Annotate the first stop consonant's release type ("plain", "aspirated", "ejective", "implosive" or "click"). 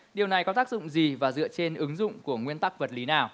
implosive